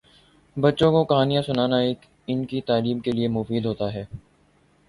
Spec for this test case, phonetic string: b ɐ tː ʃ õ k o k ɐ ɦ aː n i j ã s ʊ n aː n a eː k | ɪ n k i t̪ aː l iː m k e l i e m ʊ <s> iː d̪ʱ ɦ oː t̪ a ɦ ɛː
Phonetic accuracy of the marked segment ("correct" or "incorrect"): incorrect